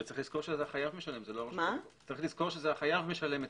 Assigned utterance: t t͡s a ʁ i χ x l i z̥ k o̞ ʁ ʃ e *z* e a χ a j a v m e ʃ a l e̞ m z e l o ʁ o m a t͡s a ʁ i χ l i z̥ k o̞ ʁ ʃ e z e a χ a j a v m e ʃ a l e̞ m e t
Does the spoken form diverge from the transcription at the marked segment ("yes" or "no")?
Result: no